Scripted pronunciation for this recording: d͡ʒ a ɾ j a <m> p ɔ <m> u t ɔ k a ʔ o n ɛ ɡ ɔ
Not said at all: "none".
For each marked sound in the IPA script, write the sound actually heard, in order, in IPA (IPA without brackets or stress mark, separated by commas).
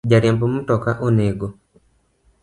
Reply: m, m